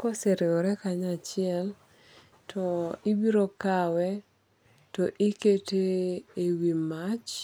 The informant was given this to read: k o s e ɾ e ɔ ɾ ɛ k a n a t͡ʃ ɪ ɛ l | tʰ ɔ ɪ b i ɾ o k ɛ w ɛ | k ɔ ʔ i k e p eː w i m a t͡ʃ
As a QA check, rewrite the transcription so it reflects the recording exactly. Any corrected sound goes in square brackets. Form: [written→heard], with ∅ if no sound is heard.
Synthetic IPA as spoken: k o s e ɾ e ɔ ɾ ɛ k a [n→ɲ] a t͡ʃ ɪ ɛ l | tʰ ɔ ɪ b i ɾ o k [ɛ→a] w ɛ | [k→t] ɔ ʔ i k e [p→t] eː w i m a t͡ʃ